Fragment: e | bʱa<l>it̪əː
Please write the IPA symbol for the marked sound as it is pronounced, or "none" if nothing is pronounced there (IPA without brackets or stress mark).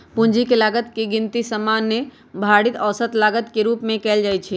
ɽ